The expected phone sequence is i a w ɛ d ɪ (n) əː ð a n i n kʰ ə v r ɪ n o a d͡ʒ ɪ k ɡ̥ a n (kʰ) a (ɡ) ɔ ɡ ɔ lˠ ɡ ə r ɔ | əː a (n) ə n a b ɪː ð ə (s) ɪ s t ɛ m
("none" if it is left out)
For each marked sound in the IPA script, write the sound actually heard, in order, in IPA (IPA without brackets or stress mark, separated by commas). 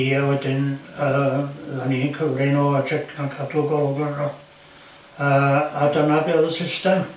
n, kʰ, d, d, s